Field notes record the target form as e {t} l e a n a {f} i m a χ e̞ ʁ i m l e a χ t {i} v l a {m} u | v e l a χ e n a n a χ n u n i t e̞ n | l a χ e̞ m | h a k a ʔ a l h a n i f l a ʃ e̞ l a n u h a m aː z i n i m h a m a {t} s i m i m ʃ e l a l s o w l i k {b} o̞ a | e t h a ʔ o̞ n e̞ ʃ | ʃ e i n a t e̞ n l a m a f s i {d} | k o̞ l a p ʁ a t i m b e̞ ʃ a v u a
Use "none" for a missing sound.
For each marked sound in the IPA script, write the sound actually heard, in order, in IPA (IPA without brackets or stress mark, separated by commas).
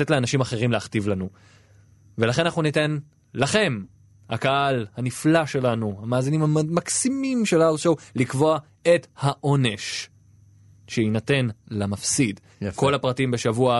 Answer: t, ʃ, i, n, k, v, d